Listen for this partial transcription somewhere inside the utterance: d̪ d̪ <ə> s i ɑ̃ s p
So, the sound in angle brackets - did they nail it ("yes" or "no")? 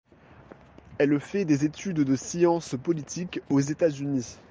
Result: yes